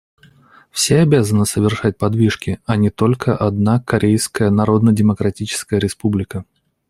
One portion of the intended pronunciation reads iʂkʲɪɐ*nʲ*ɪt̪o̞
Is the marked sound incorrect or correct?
correct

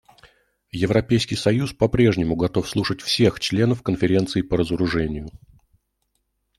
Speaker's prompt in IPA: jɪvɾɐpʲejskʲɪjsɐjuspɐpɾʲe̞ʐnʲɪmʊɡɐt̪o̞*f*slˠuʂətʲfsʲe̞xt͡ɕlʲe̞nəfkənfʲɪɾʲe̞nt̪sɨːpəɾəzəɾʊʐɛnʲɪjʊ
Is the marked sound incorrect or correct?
correct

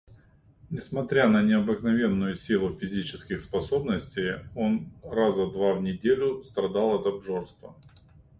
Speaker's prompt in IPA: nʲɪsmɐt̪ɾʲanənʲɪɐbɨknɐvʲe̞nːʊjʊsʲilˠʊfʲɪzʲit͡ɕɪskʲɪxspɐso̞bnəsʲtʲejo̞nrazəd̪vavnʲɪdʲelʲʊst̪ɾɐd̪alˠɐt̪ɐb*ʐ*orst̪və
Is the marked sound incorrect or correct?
correct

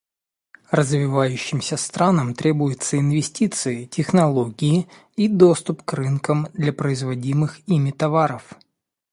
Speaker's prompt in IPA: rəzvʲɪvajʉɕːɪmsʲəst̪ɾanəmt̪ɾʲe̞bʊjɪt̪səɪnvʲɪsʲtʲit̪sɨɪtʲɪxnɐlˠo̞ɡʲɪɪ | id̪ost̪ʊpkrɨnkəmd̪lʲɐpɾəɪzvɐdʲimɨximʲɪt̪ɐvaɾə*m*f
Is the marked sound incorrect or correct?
incorrect: none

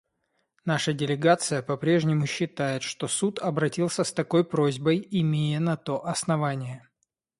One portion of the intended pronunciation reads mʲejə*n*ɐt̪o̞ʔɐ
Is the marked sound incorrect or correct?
correct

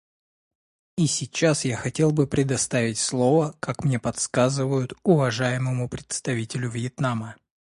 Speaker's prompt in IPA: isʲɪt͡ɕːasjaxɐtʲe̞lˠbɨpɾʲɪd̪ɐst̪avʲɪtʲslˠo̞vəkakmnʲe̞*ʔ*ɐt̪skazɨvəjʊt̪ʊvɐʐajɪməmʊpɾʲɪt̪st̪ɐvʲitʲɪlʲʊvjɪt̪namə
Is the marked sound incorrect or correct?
incorrect: p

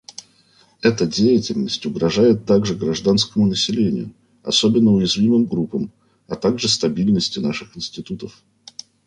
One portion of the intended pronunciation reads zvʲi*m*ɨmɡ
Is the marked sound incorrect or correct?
correct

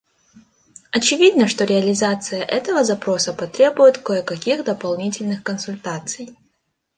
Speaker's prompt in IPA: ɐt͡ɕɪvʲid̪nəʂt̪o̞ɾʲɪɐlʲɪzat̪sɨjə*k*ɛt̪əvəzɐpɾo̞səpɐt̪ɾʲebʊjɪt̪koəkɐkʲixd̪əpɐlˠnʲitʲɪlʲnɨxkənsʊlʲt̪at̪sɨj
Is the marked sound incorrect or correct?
incorrect: ʔ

